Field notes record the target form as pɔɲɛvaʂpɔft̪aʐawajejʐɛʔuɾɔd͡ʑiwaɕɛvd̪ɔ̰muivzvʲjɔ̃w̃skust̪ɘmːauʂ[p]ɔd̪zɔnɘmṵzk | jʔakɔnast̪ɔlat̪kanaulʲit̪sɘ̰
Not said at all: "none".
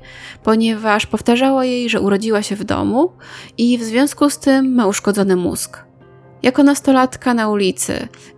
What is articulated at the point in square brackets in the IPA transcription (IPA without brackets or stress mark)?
k